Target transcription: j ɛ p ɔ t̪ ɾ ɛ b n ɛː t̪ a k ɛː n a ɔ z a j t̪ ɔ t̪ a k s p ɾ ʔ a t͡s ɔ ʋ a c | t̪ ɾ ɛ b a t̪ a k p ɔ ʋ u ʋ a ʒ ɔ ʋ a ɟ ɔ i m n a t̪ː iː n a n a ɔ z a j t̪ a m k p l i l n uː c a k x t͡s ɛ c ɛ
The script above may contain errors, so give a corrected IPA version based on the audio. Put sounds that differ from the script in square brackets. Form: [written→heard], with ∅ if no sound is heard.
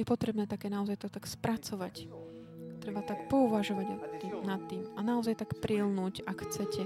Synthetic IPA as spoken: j ɛ p ɔ t̪ ɾ ɛ b n ɛː t̪ a k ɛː n a ɔ z a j t̪ ɔ t̪ a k s p ɾ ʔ a t͡s ɔ ʋ a c | t̪ ɾ ɛ b a t̪ a k p ɔ [ʋ→∅] u ʋ a ʒ ɔ ʋ a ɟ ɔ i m n a t̪ː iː [n→m] a n a ɔ z a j t̪ a [m→∅] k p [l→ɾ] i l n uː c a k x t͡s ɛ c ɛ